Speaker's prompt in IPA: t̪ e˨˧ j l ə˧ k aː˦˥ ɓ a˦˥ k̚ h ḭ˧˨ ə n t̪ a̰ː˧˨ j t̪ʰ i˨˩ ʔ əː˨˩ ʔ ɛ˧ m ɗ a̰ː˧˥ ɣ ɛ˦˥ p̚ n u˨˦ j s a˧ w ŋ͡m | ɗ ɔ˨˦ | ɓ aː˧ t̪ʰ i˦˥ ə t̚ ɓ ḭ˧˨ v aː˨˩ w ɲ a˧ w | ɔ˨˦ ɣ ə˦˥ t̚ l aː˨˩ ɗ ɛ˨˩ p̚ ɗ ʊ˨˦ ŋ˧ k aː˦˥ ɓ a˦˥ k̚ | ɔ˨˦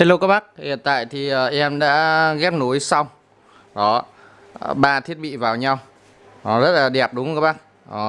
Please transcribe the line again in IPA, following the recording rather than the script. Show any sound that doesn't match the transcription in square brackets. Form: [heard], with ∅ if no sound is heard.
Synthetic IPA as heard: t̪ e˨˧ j l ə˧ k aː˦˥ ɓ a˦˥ k̚ h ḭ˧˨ ə n t̪ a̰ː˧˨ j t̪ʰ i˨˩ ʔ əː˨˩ ʔ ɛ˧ m ɗ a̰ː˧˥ ɣ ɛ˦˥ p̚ n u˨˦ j s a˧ w ŋ͡m | ɗ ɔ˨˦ | ɓ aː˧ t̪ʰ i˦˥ ə t̚ ɓ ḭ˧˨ v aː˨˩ w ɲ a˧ w | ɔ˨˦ [z] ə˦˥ t̚ l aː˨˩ ɗ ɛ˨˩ p̚ ɗ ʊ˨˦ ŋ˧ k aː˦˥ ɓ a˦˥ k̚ | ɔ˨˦